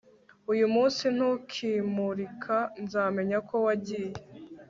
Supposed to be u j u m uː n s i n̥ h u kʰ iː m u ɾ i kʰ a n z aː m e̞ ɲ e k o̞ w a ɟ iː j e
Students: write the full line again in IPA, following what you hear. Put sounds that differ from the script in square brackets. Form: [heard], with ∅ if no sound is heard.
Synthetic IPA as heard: u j u m uː n s i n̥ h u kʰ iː m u ɾ i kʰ a n z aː m e̞ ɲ [a] k o̞ w a ɟ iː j e